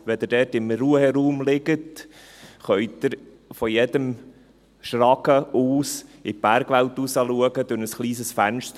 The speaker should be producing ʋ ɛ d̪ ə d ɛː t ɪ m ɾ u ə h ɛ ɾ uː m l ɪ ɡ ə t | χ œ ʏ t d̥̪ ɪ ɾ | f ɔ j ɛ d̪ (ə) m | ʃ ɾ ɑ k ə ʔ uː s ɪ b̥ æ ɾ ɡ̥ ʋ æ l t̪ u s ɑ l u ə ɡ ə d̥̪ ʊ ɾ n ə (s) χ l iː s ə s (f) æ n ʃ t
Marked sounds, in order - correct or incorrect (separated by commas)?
correct, correct, correct